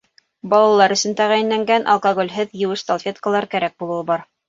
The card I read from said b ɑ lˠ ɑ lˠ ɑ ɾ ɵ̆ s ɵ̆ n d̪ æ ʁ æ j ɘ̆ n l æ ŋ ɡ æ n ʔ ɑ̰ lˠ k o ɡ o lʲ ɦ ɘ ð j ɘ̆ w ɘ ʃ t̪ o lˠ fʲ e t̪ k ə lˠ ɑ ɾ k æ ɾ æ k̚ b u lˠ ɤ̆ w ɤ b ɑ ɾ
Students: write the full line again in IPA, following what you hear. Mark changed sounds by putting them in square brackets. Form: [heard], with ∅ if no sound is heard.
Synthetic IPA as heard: b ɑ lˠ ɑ lˠ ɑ ɾ ɵ̆ s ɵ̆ n [t̪] æ ʁ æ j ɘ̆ n l æ ŋ ɡ æ n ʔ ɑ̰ lˠ k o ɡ o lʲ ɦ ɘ ð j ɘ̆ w ɘ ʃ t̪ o lˠ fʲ e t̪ k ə lˠ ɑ ɾ k æ ɾ æ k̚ b u lˠ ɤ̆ w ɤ b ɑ ɾ